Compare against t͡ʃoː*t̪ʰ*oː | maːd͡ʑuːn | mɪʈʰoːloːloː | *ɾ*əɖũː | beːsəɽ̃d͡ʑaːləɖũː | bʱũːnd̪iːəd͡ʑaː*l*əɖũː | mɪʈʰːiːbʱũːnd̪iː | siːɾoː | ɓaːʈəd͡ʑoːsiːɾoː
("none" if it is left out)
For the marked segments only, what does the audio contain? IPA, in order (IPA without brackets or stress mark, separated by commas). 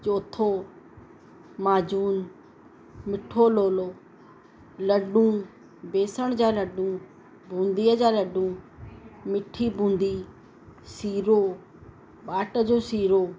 t̪ʰ, l, l